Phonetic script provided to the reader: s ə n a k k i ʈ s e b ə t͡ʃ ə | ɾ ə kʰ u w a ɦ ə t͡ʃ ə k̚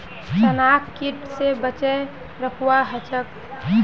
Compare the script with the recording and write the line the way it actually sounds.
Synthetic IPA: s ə n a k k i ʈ s e b ə t͡ʃ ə | ɾ ə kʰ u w a ɦ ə t͡ʃ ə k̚